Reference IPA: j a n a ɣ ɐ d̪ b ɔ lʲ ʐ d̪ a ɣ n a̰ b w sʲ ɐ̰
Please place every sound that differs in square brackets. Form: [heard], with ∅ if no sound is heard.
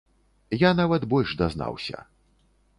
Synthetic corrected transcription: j a n a [v] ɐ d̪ b ɔ lʲ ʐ d̪ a [z] n a̰ [∅] w sʲ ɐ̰